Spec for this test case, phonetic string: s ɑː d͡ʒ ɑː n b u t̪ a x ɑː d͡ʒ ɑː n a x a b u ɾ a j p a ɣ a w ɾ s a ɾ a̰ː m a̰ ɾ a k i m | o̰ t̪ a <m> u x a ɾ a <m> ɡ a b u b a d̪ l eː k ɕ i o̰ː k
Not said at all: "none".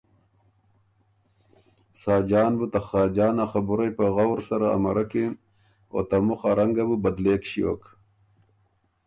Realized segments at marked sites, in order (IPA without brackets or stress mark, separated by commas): m, ŋ